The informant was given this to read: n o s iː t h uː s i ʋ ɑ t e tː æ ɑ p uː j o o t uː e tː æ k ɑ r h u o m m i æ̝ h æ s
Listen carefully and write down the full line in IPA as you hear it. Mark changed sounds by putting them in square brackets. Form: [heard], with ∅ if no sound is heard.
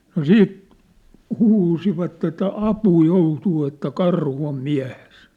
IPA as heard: n o s iː t h uː s i ʋ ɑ t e tː æ ɑ p uː j o [u] t uː e tː æ k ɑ r h u o m m i æ̝ h [e] s